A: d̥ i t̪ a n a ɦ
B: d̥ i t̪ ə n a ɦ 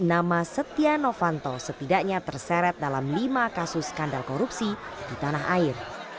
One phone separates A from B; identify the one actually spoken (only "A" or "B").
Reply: A